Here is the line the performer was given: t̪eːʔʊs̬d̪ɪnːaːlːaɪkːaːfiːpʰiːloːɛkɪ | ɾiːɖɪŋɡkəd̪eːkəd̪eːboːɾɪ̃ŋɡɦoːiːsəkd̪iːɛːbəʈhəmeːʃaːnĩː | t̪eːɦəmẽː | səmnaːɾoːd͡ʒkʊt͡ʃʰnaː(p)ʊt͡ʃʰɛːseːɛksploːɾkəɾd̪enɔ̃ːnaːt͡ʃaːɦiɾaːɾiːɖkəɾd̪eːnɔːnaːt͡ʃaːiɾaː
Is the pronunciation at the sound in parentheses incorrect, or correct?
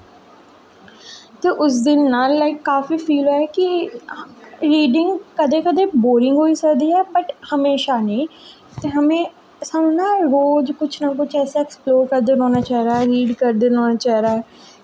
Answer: incorrect